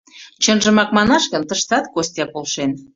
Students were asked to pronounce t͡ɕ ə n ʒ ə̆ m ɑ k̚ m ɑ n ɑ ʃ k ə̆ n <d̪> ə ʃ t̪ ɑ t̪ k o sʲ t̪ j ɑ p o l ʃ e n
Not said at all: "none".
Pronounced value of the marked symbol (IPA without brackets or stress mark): t̪